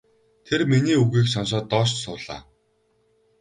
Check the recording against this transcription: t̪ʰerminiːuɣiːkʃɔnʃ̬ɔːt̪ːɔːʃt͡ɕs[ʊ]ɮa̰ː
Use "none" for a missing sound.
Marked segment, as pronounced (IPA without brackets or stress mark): ʊː